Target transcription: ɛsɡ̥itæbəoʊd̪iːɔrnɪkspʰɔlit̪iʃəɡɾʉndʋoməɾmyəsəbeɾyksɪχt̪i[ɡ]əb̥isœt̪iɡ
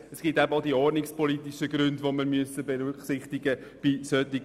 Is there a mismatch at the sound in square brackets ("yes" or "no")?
no